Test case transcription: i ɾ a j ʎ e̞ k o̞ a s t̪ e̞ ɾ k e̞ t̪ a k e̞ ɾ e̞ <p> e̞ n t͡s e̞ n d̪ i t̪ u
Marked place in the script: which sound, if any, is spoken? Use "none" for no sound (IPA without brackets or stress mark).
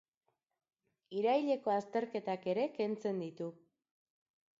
k